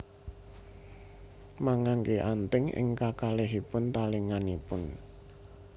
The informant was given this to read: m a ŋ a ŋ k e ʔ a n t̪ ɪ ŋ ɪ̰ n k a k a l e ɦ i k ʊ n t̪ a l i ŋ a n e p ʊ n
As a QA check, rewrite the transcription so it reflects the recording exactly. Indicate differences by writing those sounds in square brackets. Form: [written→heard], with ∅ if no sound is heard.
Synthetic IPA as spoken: m a ŋ a ŋ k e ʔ a n t̪ ɪ ŋ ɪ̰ [n→ŋ] k a k a l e ɦ i [k→p] ʊ n t̪ a l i ŋ a n [e→i] p ʊ n